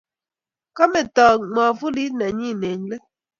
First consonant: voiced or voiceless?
voiceless